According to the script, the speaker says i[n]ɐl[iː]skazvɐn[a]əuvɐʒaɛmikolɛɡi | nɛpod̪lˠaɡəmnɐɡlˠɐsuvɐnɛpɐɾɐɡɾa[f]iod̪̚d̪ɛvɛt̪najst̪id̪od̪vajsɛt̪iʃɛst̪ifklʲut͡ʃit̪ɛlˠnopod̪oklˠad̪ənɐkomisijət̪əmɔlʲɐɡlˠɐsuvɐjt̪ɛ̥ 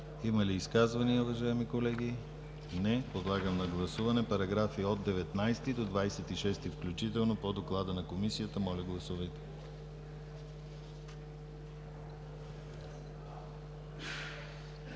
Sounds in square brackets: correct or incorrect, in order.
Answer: incorrect, correct, incorrect, correct

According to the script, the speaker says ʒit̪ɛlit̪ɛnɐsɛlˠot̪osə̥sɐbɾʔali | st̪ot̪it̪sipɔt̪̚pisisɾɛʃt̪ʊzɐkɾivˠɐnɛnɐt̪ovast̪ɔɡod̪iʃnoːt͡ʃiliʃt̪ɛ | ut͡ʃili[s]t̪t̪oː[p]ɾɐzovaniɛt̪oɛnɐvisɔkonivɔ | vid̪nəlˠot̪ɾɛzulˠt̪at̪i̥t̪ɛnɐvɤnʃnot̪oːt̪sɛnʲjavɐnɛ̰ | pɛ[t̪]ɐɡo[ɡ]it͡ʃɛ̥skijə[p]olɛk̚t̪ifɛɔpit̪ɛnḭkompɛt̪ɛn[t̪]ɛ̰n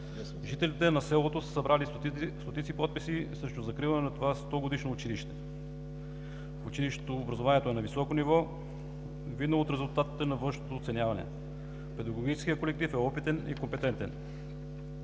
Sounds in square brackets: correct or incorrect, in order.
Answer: incorrect, incorrect, incorrect, correct, incorrect, correct

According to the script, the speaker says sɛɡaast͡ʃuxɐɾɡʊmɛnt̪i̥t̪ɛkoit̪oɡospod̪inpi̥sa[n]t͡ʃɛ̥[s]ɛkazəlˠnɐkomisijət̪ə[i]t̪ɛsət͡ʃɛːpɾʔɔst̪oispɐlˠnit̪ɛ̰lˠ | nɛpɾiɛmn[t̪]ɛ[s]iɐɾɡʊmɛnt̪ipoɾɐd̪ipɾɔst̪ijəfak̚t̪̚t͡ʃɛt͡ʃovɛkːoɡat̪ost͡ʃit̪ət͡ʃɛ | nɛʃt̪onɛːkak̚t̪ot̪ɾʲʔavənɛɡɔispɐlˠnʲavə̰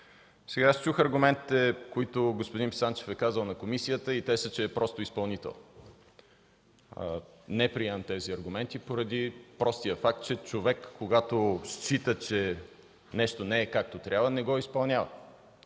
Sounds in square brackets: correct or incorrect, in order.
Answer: correct, incorrect, correct, correct, incorrect

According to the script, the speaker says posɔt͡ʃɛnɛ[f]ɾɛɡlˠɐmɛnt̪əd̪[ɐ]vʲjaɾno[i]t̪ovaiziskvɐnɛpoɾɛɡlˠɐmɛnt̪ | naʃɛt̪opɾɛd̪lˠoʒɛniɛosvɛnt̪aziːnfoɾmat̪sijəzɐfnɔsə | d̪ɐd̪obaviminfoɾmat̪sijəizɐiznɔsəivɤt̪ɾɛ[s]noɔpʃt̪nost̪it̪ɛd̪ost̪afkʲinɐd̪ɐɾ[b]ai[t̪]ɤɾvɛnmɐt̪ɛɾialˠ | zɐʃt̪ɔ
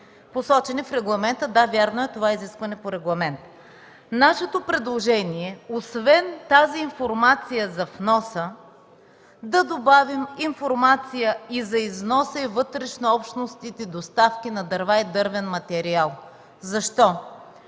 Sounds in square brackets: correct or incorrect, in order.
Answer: correct, incorrect, incorrect, incorrect, incorrect, incorrect

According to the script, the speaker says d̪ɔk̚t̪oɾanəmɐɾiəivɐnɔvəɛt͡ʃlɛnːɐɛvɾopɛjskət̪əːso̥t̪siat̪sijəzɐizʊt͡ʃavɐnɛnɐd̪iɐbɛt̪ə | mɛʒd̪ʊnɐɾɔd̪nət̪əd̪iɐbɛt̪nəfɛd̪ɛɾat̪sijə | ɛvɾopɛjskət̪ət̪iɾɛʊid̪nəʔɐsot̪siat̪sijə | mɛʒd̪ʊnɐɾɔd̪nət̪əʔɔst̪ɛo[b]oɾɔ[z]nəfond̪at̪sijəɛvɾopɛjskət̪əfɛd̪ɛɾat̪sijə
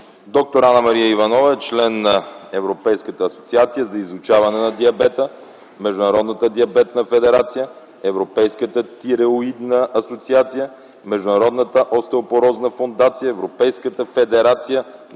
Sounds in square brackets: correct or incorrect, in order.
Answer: incorrect, correct

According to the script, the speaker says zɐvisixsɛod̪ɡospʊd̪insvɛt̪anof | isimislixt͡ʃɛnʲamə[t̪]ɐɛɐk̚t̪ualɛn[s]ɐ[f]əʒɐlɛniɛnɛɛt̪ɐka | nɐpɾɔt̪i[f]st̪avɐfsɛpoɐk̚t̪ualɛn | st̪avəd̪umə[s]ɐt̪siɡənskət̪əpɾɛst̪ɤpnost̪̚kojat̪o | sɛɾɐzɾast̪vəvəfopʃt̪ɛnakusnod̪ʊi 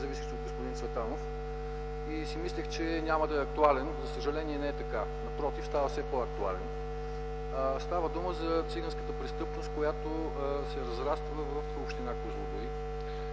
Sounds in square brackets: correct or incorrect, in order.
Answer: incorrect, incorrect, incorrect, correct, incorrect

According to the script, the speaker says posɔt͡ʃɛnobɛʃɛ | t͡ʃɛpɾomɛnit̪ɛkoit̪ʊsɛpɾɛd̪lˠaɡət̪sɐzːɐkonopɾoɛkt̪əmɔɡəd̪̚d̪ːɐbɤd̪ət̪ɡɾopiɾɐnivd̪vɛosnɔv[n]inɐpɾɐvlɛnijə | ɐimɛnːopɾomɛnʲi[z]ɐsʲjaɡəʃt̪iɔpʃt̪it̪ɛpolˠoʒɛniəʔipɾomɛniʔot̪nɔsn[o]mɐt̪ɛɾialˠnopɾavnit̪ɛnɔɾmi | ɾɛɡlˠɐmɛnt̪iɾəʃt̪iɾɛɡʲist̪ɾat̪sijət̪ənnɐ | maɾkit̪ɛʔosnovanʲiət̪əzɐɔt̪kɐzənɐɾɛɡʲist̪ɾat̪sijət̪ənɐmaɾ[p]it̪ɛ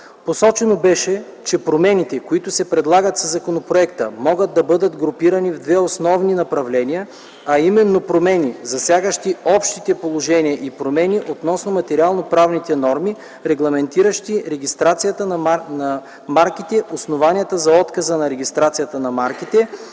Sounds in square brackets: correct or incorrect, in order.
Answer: correct, correct, correct, incorrect

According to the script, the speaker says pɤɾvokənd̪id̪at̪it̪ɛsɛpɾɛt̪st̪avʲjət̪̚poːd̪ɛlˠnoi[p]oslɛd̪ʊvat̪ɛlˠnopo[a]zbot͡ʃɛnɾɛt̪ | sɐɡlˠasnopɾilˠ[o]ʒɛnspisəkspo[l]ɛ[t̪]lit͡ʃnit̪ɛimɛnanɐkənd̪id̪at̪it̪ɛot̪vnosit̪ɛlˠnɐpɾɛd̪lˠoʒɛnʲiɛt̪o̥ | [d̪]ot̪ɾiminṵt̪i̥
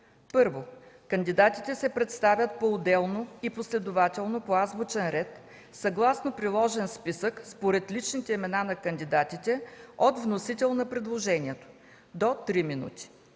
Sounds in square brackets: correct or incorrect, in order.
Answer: correct, correct, incorrect, incorrect, correct, correct

